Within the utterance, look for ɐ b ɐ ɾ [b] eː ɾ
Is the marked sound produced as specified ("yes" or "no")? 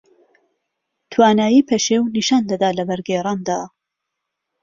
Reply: no